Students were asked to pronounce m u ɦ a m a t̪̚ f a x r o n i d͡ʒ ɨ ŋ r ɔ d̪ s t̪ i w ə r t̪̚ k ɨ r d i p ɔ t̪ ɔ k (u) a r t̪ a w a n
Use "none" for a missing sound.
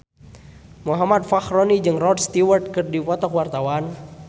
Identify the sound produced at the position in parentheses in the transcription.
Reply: w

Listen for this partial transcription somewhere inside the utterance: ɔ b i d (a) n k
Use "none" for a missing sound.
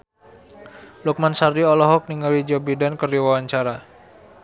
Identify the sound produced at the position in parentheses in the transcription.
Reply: a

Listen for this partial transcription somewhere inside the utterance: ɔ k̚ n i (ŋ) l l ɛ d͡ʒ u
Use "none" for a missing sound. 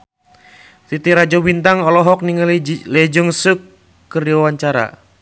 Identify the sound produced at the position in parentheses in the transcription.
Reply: ŋ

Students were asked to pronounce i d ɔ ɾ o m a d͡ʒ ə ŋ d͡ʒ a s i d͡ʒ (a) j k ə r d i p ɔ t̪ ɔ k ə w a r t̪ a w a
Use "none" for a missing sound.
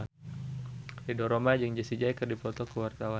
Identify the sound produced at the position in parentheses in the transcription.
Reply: a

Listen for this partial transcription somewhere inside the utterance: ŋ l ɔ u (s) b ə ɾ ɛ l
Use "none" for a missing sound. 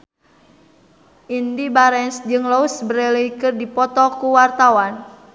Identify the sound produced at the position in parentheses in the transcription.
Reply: s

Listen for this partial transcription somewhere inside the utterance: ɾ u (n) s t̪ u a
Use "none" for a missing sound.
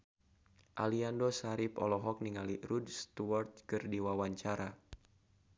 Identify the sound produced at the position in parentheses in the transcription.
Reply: d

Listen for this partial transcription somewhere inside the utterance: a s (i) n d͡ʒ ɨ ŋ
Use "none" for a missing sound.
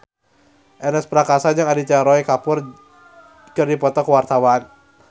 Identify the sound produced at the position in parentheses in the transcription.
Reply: a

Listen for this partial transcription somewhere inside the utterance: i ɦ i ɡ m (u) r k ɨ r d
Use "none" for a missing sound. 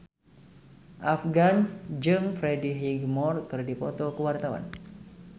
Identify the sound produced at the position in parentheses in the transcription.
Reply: ɔ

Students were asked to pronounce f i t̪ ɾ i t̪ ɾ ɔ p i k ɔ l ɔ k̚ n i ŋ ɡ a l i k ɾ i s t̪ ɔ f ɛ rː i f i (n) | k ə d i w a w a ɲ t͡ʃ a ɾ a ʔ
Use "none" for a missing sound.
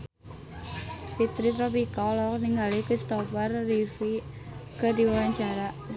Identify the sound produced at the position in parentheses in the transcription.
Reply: none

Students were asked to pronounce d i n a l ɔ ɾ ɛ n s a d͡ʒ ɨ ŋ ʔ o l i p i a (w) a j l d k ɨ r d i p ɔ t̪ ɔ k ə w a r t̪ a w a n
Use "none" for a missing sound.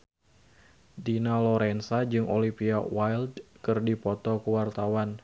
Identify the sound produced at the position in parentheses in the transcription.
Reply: w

